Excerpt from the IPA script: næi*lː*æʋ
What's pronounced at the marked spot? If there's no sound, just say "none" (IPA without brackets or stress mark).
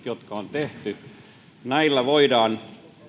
lː